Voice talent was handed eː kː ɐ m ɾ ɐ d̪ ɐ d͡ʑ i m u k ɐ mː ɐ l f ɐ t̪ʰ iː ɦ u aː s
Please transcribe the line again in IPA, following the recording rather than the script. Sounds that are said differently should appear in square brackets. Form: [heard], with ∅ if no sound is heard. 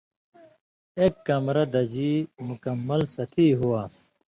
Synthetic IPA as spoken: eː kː ɐ m ɾ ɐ d̪ ɐ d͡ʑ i m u k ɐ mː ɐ l [s] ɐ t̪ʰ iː ɦ u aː s